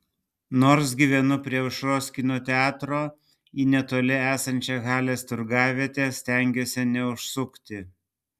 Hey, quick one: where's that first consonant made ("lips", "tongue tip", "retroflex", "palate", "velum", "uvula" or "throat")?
tongue tip